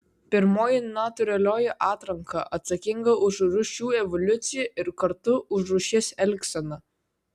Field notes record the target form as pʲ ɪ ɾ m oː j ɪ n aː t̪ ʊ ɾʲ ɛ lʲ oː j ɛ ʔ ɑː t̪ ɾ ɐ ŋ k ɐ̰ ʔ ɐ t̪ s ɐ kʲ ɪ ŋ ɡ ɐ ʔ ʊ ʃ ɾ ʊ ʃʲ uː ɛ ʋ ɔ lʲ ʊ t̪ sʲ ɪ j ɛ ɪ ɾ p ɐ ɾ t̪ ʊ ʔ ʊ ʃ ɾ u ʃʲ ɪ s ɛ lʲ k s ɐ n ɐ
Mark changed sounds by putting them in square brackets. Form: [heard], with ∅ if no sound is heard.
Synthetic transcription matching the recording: pʲ ɪ ɾ m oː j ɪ n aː t̪ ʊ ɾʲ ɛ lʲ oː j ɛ ʔ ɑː t̪ ɾ ɐ ŋ k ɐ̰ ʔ ɐ t̪ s ɐ kʲ ɪ ŋ ɡ ɐ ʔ ʊ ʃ ɾ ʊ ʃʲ uː ɛ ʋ ɔ lʲ ʊ t̪ sʲ ɪ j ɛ ɪ ɾ [k] ɐ ɾ t̪ ʊ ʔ ʊ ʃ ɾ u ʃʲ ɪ s ɛ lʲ k s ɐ n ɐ